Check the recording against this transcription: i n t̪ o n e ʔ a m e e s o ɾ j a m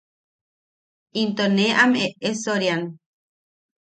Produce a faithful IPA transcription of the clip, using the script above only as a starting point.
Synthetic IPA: i n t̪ o n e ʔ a m e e s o ɾ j a n